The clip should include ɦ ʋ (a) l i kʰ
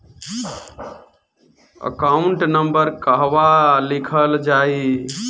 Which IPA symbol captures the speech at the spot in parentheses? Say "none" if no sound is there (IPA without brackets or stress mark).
a